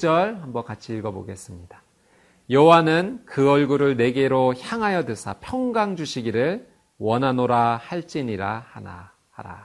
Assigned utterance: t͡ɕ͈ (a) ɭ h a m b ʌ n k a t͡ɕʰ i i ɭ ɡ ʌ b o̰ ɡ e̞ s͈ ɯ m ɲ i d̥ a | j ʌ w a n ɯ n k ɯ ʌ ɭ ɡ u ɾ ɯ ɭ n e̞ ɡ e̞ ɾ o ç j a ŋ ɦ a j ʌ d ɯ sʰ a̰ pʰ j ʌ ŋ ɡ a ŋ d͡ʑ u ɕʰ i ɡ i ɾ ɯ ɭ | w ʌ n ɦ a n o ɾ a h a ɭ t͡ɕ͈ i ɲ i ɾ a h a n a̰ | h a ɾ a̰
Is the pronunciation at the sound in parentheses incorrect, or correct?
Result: incorrect